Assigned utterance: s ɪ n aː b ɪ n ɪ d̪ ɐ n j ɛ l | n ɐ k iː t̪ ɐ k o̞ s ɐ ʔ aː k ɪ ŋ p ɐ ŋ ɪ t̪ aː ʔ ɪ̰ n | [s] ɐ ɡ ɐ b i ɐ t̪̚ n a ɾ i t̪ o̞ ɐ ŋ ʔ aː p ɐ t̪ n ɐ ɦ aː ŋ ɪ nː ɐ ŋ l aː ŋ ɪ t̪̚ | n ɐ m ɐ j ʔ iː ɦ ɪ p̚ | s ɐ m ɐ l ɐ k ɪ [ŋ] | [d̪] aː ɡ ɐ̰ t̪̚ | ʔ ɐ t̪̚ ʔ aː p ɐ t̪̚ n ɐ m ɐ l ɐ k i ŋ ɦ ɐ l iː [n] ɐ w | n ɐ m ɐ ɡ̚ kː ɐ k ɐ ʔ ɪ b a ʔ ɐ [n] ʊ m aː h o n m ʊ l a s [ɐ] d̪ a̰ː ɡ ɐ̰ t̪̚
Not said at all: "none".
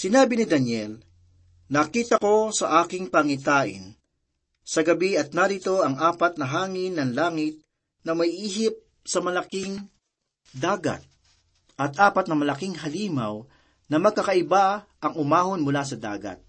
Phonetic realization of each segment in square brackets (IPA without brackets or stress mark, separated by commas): s, ŋ, d̪, m, ŋ, ɐ